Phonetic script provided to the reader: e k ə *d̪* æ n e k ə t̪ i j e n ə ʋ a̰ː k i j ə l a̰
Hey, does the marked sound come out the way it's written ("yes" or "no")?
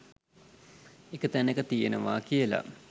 no